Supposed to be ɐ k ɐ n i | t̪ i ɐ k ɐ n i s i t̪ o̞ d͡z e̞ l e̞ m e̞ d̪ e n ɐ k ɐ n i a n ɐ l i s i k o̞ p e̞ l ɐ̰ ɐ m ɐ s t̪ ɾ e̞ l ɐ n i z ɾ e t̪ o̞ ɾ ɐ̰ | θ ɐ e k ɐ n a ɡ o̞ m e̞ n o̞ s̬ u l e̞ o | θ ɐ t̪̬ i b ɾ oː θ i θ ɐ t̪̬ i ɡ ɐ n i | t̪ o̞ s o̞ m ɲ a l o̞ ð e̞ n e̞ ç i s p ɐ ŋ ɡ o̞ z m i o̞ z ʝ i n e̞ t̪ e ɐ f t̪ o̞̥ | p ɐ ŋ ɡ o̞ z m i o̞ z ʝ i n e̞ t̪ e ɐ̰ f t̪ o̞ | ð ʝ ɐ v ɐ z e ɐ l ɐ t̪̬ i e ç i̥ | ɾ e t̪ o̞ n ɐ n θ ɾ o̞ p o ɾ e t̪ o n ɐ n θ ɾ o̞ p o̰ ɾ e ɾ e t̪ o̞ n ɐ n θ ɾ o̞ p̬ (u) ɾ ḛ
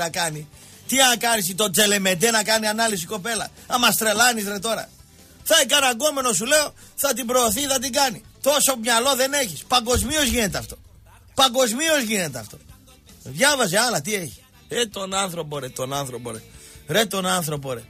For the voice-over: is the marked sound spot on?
no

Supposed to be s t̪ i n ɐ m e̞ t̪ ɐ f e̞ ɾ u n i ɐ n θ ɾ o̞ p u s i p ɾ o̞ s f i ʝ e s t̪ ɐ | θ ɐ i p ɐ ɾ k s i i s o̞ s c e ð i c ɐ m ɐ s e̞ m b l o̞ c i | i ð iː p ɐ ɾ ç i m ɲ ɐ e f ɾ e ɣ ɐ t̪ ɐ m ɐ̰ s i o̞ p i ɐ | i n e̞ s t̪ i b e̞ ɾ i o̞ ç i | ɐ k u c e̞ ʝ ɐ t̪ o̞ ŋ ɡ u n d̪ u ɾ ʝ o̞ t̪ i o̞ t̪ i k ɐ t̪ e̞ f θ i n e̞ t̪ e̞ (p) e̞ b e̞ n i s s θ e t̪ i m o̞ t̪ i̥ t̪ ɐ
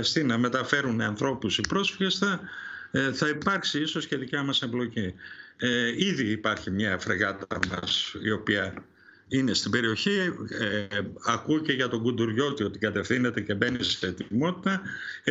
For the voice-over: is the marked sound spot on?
no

